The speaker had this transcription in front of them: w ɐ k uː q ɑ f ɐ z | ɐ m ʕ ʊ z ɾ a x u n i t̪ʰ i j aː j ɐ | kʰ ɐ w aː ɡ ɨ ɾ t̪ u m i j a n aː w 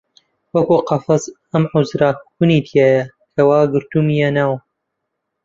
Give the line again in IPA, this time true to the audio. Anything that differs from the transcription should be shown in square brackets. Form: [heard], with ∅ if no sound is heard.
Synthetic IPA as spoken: w ɐ k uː q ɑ f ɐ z | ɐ m ʕ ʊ z ɾ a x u n i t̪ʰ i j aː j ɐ | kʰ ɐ w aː ɡ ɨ ɾ t̪ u m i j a n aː w